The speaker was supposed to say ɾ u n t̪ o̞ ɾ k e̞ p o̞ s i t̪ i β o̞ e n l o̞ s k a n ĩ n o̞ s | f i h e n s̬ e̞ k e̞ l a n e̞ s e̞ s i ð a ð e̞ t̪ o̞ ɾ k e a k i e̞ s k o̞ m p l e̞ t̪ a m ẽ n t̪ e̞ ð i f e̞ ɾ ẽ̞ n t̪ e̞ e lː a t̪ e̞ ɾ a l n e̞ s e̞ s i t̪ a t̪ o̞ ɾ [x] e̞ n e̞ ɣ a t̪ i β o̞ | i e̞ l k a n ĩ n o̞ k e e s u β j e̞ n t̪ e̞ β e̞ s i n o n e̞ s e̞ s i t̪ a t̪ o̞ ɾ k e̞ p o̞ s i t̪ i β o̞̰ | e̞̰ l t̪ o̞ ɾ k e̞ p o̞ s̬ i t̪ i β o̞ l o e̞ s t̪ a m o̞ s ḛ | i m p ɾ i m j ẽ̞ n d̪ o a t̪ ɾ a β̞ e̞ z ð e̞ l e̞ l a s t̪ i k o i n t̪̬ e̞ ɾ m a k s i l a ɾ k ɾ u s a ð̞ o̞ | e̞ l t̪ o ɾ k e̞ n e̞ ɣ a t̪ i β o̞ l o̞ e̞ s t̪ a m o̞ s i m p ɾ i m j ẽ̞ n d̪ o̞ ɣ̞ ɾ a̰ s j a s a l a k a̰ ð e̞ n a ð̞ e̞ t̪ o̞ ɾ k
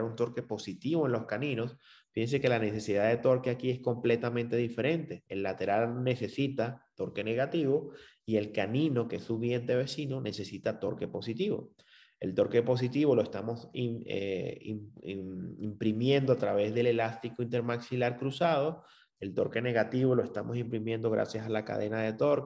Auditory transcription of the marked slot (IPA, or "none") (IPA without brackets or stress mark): k